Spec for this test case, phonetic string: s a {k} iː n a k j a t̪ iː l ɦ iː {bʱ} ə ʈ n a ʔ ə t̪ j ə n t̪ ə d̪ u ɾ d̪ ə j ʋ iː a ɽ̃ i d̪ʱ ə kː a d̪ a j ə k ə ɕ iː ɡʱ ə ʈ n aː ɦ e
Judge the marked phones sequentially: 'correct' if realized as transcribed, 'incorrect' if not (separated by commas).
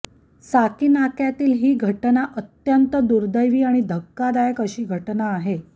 correct, incorrect